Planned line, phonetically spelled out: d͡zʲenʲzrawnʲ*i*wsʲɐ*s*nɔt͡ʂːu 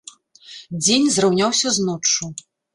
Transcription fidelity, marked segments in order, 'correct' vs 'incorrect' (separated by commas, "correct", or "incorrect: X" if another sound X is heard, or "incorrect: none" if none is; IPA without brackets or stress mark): incorrect: a, incorrect: z